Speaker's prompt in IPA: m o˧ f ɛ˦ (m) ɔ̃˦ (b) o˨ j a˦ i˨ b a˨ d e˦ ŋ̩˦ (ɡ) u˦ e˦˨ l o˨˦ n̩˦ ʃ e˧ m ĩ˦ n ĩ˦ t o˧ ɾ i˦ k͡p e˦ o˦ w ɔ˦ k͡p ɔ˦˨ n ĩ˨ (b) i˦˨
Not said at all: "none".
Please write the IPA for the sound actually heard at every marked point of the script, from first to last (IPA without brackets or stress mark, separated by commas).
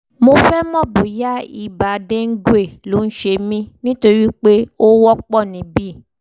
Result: m, b, ɡ, b